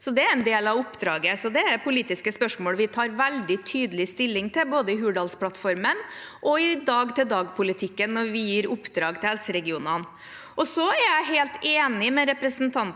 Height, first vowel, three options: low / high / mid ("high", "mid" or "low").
mid